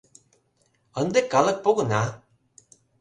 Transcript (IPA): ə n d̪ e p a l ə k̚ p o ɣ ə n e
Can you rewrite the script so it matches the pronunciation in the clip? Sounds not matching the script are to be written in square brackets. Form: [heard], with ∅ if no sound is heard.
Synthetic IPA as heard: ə n d̪ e [k] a l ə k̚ p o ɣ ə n [a]